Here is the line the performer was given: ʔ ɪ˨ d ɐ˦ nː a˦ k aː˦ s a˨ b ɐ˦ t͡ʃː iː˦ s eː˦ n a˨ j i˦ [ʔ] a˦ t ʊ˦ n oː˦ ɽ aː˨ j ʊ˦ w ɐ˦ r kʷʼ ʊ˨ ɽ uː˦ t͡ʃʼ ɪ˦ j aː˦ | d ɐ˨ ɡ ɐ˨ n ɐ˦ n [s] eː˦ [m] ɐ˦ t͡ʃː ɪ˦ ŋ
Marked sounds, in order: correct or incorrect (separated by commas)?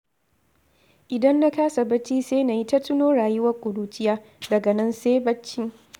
incorrect, correct, incorrect